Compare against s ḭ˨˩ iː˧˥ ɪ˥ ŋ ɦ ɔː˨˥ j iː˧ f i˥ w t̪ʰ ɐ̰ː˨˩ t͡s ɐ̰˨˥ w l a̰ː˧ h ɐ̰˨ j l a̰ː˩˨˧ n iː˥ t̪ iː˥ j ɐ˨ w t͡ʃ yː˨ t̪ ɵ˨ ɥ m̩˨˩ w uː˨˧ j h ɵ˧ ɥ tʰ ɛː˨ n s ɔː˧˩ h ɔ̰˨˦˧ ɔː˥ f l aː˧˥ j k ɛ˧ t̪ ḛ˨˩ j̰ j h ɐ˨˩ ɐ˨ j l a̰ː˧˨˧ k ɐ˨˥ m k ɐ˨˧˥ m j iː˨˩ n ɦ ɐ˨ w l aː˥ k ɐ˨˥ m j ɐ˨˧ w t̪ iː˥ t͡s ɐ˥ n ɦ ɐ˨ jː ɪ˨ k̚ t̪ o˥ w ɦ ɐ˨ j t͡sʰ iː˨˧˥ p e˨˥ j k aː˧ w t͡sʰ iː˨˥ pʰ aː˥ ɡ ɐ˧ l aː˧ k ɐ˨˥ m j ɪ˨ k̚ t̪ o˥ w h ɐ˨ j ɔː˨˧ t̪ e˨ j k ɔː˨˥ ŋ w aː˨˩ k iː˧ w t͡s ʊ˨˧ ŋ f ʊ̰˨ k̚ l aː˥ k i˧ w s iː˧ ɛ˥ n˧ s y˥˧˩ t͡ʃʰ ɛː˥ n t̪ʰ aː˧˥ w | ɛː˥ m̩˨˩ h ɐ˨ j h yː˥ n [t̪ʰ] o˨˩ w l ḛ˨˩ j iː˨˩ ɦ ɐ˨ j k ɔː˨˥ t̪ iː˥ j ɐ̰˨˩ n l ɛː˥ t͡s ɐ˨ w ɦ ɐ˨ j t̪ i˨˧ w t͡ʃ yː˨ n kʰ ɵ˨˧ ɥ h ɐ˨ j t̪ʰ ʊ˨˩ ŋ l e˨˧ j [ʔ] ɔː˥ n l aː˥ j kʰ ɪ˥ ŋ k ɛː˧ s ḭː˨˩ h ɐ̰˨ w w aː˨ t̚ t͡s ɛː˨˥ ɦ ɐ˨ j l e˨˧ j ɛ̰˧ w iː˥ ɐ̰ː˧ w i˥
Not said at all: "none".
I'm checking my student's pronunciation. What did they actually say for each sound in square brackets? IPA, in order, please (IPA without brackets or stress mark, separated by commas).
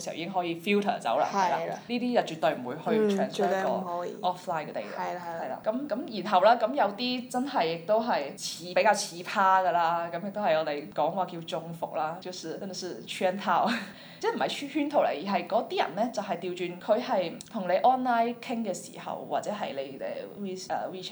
t̪ʰ, ʔ